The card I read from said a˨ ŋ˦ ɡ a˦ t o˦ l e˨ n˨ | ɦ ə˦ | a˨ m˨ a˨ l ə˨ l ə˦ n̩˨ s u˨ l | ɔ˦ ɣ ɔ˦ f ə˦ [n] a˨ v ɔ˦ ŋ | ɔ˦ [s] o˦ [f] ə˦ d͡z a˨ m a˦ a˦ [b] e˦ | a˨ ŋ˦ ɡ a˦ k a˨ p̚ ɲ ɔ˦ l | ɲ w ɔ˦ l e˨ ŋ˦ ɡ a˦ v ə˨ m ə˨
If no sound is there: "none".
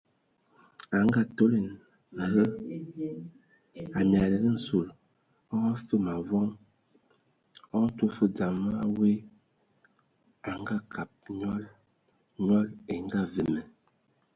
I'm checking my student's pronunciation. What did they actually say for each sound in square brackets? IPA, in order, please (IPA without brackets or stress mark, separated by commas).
m, t, f, w